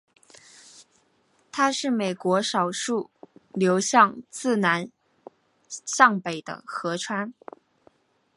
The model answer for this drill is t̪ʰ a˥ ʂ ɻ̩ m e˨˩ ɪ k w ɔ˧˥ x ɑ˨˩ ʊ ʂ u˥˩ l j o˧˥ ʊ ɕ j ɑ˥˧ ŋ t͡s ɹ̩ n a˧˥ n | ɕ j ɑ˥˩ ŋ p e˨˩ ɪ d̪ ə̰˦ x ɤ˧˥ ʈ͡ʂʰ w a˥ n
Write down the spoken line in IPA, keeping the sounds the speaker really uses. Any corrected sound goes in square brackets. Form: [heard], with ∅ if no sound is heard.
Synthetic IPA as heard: t̪ʰ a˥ ʂ ɻ̩ m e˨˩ ɪ k w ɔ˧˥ [ʂ] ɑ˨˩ ʊ ʂ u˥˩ l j o˧˥ ʊ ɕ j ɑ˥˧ ŋ t͡s ɹ̩ n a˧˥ n | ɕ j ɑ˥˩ ŋ p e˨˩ ɪ d̪ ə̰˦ x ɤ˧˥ ʈ͡ʂʰ w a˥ n